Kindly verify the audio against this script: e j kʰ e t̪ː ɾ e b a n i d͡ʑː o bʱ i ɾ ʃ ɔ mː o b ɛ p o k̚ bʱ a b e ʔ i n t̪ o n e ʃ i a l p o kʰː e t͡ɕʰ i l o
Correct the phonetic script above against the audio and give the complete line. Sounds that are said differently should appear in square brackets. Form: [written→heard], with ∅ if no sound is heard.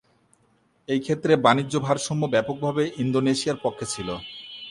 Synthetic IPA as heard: e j kʰ e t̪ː ɾ e b a n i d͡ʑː o bʱ [i→a] ɾ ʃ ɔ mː o b ɛ p o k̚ bʱ a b e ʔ i n [t̪→d̪] o n e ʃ i a [l→ɾ] p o kʰː e t͡ɕʰ i l o